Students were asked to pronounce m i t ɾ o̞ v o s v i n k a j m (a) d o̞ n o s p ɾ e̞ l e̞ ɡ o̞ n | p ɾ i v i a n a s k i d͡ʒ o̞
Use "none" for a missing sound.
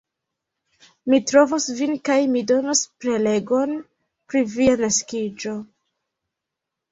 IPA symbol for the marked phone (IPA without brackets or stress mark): i